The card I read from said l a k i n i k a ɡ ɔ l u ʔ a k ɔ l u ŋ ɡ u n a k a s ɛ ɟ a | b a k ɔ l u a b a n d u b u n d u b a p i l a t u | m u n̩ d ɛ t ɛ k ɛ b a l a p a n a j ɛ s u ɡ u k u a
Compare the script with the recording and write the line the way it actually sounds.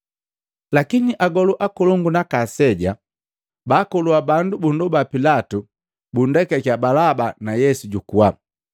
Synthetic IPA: l a k i n i ʔ a ɡ ɔ l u ʔ a k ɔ l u ŋ ɡ u n a k a s ɛ ɟ a | b a k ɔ l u a b a n d u b u n d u b a p i l a t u | b u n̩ d ɛ k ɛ k a b a l a b a n a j ɛ s u ɟ u k u a